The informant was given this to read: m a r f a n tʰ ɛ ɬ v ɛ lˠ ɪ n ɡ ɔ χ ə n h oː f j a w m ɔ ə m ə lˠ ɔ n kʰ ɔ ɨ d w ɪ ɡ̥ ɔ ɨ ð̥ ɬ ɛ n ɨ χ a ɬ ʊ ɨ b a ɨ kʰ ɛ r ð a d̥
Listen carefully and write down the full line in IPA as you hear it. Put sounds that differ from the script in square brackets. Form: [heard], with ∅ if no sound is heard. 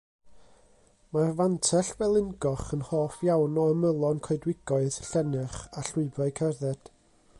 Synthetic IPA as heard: m a r [v] a n tʰ ɛ ɬ v ɛ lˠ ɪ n ɡ ɔ χ ə n h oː f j a w [n] ɔ ə m ə lˠ ɔ n kʰ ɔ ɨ d w ɪ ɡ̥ ɔ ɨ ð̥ ɬ ɛ n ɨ χ a ɬ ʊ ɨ b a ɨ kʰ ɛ r ð [ɛ] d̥